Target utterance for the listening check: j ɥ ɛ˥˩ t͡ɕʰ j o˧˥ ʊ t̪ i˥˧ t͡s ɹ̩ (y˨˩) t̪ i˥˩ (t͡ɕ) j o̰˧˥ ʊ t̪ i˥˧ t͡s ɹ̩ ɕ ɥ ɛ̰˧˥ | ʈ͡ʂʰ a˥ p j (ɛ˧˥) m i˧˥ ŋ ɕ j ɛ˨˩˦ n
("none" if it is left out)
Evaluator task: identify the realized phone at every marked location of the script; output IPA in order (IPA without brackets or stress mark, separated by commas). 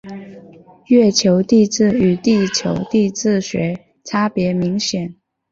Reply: y˨˩, t͡ɕʰ, ɛ˧˥